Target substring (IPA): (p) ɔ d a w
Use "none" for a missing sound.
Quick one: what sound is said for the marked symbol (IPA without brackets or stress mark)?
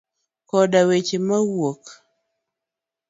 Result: k